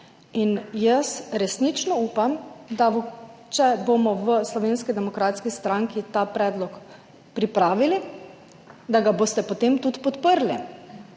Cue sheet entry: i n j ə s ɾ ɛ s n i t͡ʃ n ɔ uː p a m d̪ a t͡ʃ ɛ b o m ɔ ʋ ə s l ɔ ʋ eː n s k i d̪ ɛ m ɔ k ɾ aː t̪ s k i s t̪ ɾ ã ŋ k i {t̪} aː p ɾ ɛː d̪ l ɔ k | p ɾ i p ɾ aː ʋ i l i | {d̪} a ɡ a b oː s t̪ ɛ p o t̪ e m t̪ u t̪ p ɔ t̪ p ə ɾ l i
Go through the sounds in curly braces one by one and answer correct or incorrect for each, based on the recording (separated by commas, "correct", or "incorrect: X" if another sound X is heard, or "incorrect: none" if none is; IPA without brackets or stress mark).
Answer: correct, correct